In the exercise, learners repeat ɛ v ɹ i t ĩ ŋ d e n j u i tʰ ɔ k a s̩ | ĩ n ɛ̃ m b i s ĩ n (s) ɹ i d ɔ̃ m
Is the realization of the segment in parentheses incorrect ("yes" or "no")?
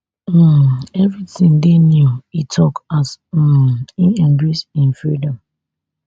yes